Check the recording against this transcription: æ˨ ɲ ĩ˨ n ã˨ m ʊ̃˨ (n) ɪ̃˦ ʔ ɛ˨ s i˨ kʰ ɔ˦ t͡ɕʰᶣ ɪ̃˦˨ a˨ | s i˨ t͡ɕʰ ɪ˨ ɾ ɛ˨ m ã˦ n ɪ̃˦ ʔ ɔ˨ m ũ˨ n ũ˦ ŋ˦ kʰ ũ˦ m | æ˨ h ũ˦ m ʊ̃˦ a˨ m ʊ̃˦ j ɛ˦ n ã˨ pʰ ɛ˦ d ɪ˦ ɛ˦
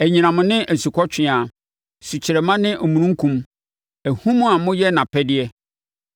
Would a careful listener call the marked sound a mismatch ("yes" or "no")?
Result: no